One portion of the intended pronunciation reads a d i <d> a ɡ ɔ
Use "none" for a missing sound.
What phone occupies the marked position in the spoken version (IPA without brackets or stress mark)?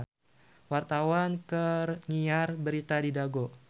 d